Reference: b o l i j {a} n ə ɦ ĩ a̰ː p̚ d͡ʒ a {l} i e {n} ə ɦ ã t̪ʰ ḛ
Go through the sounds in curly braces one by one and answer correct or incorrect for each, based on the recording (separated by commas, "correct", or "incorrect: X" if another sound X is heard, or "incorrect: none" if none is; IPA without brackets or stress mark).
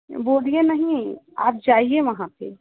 incorrect: e, incorrect: none, incorrect: m